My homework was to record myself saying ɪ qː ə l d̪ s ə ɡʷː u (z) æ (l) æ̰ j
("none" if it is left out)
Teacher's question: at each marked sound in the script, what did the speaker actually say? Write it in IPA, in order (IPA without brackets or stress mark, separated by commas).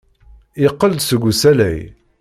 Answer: s, l